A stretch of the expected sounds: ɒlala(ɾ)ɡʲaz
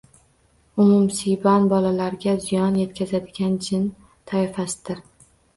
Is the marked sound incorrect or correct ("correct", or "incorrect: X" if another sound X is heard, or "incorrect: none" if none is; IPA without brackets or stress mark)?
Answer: correct